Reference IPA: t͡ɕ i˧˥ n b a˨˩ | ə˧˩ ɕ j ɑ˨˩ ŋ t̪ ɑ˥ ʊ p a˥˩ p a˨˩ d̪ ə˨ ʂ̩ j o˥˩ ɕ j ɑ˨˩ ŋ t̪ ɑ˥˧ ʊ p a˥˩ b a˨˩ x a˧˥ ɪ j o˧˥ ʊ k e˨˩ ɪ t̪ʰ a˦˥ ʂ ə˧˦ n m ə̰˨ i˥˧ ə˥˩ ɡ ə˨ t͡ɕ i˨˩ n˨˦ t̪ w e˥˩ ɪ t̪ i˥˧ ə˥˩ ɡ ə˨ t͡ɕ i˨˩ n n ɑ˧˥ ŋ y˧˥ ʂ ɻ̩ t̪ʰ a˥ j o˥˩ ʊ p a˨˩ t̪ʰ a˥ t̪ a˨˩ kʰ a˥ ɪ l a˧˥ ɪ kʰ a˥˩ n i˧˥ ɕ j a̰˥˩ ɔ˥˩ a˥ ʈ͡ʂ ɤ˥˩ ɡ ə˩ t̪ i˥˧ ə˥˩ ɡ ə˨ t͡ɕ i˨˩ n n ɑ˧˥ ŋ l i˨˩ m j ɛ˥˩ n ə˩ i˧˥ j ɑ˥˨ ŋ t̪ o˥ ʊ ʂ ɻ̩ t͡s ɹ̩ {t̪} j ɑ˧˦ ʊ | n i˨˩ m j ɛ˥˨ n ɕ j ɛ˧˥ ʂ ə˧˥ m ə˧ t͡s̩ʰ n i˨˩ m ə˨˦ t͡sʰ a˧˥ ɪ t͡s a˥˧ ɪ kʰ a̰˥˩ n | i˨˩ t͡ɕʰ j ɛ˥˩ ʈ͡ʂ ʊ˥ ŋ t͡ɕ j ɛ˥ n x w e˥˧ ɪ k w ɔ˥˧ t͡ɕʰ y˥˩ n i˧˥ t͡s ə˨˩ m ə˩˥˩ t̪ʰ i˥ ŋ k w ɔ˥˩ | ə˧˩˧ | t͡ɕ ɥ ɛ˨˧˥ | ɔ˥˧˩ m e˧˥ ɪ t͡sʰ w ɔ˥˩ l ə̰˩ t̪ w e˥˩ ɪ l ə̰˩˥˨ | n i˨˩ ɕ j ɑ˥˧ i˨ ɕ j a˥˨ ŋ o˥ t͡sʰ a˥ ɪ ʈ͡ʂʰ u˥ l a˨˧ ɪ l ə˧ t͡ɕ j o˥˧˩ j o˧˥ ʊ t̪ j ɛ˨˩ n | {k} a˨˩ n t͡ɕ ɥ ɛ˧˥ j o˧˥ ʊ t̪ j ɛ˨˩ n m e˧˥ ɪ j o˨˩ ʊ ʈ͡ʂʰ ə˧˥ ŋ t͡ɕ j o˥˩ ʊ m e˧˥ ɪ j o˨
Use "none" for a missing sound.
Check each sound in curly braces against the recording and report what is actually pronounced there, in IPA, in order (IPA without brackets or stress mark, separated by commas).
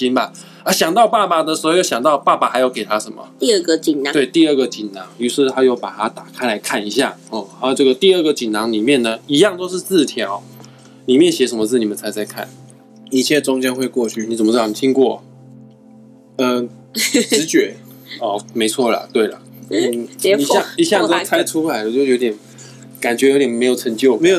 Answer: t̪ʰ, k